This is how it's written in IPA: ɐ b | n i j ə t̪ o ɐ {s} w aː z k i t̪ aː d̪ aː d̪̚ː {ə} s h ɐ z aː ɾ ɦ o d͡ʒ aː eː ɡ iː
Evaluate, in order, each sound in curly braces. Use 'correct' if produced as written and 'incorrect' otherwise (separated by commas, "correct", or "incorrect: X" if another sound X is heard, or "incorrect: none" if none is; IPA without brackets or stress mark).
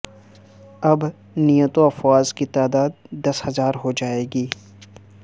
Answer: incorrect: f, incorrect: ɐ